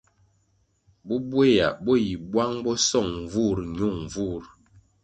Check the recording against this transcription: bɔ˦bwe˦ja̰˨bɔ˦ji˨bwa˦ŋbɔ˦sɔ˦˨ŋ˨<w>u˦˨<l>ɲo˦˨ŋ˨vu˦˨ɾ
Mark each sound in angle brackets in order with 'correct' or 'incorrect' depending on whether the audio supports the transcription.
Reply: incorrect: v, incorrect: ɾ

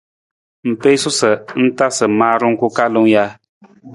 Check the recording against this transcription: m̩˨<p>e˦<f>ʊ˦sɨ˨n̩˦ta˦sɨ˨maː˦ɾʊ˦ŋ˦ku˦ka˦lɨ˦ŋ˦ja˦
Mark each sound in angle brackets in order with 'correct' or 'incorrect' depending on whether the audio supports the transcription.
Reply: correct, incorrect: s

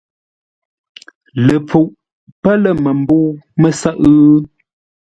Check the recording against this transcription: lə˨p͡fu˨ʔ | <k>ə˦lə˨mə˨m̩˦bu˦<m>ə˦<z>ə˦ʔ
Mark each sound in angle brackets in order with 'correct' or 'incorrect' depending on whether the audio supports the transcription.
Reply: incorrect: p, correct, incorrect: s

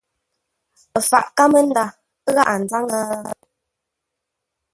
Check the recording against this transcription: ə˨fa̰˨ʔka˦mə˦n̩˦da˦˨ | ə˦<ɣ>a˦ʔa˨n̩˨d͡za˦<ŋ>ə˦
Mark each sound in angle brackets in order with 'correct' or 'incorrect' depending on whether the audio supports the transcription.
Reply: correct, correct

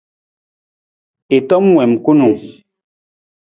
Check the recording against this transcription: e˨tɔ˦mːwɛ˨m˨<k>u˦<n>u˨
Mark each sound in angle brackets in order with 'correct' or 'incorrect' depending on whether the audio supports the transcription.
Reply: correct, correct

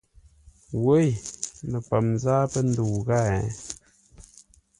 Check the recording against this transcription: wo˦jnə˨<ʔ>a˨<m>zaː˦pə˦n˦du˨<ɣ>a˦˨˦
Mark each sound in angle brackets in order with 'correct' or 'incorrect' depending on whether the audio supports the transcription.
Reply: incorrect: p, correct, correct

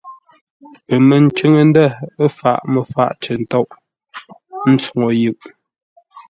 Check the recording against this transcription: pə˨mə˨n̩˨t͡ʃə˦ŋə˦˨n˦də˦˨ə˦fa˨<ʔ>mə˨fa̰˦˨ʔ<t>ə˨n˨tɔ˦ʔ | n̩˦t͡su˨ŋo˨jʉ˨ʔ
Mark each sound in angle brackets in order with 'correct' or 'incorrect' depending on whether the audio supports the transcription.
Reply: correct, incorrect: t͡ʃ

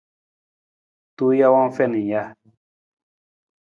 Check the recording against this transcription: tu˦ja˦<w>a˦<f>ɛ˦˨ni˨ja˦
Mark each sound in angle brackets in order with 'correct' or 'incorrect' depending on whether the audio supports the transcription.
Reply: correct, correct

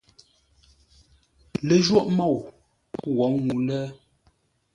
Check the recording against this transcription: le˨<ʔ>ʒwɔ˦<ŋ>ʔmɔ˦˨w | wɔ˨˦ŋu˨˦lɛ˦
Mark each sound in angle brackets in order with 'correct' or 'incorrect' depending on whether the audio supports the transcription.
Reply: incorrect: none, incorrect: none

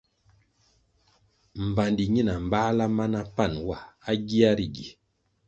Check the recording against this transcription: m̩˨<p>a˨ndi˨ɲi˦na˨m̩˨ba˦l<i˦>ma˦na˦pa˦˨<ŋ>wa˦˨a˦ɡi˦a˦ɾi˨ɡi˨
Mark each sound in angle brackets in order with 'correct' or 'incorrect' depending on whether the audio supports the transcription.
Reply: incorrect: b, incorrect: a˦, incorrect: n

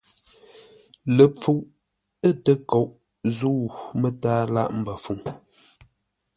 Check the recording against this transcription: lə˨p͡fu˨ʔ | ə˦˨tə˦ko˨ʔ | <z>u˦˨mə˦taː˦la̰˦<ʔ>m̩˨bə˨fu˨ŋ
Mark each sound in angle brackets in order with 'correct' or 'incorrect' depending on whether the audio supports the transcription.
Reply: correct, correct

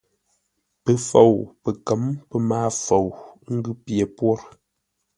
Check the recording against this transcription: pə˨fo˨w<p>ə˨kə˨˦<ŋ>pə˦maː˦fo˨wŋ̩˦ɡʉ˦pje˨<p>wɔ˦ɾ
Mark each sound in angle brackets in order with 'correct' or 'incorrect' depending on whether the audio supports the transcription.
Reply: correct, incorrect: m, correct

